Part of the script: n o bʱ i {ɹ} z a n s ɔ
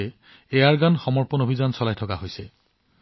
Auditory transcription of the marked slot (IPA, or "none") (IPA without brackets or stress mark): none